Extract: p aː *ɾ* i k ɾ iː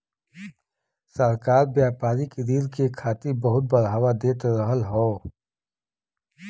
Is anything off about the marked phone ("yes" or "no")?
no